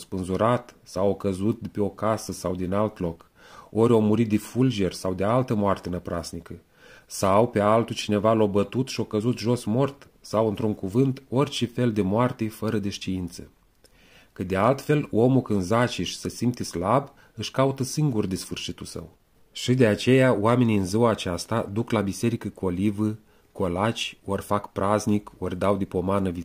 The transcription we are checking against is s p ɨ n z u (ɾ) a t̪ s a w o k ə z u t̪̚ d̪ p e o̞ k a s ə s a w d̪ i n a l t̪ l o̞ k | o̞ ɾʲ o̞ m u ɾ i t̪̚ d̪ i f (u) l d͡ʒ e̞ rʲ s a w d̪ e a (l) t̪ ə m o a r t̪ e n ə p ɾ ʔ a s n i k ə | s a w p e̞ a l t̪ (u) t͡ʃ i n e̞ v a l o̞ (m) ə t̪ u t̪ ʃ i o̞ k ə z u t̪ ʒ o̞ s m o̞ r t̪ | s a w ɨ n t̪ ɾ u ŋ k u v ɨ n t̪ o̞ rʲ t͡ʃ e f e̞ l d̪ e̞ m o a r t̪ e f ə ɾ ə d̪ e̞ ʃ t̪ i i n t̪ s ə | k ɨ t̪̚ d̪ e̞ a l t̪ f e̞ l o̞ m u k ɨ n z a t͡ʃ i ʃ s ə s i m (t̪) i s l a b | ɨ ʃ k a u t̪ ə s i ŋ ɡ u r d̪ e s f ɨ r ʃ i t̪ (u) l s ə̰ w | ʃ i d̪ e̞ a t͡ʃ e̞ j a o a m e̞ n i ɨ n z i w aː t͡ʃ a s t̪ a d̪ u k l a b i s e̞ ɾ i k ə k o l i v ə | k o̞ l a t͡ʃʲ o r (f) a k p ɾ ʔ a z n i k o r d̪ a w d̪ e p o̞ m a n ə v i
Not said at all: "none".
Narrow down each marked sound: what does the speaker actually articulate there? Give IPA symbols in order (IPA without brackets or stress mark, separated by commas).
ɾ, u, l, u, b, t̪, u, f